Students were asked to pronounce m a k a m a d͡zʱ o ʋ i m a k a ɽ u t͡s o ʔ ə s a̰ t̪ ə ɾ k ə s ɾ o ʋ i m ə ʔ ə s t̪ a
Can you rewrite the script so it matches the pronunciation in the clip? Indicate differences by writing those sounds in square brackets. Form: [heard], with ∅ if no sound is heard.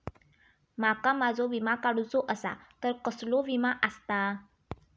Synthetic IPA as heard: m a k a m a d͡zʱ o ʋ i m a k a ɽ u t͡s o ʔ ə s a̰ t̪ ə ɾ k ə s [l] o ʋ i m [a] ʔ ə s t̪ a